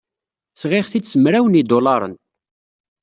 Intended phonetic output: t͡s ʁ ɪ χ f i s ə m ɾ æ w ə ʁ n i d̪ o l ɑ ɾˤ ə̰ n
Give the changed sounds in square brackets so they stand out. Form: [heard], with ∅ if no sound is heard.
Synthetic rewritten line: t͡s ʁ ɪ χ [θ] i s ə m ɾ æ w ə [∅] n i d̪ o l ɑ ɾˤ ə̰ n